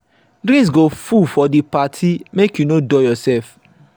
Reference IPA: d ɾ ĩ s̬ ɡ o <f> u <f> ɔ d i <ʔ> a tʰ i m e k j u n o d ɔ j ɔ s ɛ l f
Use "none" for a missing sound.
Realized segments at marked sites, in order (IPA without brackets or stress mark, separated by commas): f, f, p